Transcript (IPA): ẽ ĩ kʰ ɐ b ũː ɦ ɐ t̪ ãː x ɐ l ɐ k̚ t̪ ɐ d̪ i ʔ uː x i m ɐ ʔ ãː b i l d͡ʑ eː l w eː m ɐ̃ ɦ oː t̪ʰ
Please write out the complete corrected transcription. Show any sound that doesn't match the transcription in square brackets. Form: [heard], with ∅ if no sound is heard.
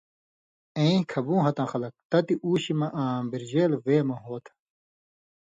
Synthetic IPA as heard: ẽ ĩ kʰ ɐ b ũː ɦ ɐ t̪ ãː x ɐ l ɐ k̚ t̪ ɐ [t̪] i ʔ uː [ɕ] i m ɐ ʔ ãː b i [ɾ] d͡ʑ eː l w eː m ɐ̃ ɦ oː t̪ʰ